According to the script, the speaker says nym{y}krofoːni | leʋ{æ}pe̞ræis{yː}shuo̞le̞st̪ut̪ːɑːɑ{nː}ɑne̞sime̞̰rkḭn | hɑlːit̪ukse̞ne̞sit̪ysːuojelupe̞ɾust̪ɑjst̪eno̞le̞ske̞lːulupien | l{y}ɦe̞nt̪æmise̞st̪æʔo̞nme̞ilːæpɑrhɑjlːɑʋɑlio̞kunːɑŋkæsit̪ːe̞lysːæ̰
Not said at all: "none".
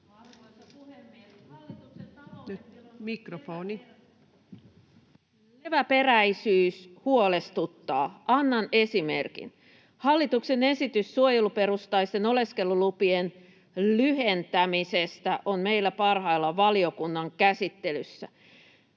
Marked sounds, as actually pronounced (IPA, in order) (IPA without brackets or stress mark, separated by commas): i, æ, yː, nː, y